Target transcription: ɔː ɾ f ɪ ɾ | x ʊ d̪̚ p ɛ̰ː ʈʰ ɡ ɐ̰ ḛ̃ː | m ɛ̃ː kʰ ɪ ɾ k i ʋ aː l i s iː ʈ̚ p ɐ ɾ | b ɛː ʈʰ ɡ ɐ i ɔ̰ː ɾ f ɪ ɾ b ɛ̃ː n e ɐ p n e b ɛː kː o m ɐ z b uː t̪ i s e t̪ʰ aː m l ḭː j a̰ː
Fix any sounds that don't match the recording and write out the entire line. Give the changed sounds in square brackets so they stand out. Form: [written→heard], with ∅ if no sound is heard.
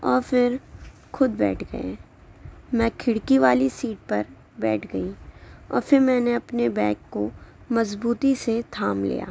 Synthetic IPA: ɔː ɾ f ɪ ɾ | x ʊ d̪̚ [p→b] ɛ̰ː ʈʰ ɡ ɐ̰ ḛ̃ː | m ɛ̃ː kʰ ɪ [ɾ→ɽ] k i ʋ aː l i s iː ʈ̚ p ɐ ɾ | b ɛː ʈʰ ɡ ɐ i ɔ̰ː ɾ f ɪ ɾ [b→m] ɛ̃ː n e ɐ p n e b ɛː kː o m ɐ z b uː t̪ i s e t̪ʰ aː m l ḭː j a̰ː

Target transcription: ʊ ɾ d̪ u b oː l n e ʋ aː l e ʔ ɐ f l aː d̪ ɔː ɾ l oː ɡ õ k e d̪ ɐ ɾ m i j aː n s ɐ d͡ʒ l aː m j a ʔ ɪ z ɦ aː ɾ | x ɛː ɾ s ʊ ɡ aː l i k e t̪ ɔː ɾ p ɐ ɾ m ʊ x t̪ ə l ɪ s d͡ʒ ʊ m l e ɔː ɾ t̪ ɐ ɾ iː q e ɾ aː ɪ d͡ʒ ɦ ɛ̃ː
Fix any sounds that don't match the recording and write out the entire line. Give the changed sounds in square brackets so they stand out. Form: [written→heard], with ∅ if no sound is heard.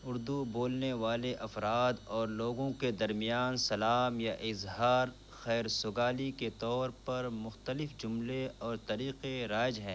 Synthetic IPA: ʊ ɾ d̪ u b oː l n e ʋ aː l e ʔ ɐ f [l→ɾ] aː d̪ ɔː ɾ l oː ɡ õ k e d̪ ɐ ɾ m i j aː n s ɐ [d͡ʒ→∅] l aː m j a ʔ ɪ z ɦ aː ɾ | x ɛː ɾ s ʊ ɡ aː l i k e t̪ ɔː ɾ p ɐ ɾ m ʊ x t̪ ə l ɪ [s→f] d͡ʒ ʊ m l e ɔː ɾ t̪ ɐ ɾ iː q e ɾ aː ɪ d͡ʒ ɦ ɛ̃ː

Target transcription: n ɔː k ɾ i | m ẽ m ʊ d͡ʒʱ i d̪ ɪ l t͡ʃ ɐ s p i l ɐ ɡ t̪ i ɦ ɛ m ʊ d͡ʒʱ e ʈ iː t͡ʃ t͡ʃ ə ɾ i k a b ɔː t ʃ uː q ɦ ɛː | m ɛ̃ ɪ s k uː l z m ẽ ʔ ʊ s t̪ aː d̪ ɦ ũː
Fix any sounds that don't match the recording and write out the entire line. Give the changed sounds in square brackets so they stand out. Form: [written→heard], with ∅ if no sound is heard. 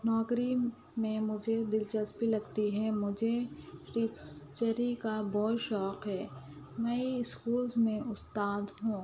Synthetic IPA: n ɔː k ɾ i | m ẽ m ʊ d͡ʒʱ [i→e] d̪ ɪ l t͡ʃ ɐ s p i l ɐ ɡ t̪ i ɦ ɛ m ʊ d͡ʒʱ e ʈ iː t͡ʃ t͡ʃ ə ɾ i k a b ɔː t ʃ [uː→ɔː] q ɦ ɛː | m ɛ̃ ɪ s k uː l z m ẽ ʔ ʊ s t̪ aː d̪ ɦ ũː

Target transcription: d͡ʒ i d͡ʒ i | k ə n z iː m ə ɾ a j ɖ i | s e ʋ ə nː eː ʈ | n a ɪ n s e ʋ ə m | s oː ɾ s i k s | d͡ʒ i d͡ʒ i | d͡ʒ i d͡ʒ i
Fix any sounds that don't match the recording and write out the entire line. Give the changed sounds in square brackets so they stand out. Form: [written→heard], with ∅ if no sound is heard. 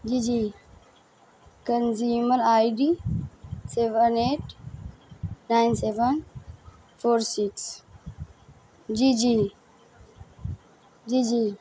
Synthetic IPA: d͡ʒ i d͡ʒ i | k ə n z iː m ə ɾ a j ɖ i | s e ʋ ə [nː→n] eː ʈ | n a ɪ n s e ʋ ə [m→n] | [s→f] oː ɾ s i k s | d͡ʒ i d͡ʒ i | d͡ʒ i d͡ʒ i

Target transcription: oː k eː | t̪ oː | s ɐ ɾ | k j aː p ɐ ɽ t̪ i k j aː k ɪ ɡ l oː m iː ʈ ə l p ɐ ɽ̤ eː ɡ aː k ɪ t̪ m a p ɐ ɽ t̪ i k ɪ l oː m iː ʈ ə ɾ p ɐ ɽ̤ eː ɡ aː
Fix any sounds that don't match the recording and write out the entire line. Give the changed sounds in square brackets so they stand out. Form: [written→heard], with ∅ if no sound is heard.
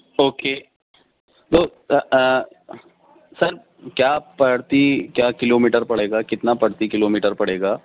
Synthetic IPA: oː k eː | t̪ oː | s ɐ ɾ | k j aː p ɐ ɽ t̪ i k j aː k ɪ [ɡ→∅] l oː m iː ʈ ə [l→ɾ] p ɐ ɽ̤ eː ɡ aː k ɪ t̪ [m→n] a p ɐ ɽ t̪ i k ɪ l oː m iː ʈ ə ɾ p ɐ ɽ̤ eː ɡ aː

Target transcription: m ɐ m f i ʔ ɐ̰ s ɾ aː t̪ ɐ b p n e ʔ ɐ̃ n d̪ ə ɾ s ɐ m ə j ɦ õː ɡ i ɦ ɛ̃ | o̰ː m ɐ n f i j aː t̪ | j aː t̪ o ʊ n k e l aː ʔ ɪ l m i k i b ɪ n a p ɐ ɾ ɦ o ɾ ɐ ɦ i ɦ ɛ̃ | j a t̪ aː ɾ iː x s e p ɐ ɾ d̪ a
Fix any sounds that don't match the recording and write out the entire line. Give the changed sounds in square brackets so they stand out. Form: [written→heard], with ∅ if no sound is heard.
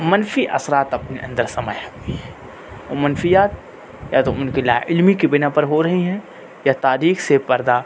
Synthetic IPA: m ɐ [m→n] f i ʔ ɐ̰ s ɾ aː t̪ ɐ [b→∅] p n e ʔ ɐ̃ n d̪ ə ɾ s ɐ m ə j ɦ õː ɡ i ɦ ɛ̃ | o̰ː m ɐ n f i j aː t̪ | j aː t̪ o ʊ n k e l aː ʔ ɪ l m i k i b ɪ n a p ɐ ɾ ɦ o ɾ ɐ ɦ i ɦ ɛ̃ | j a t̪ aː ɾ iː x s e p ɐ ɾ d̪ a

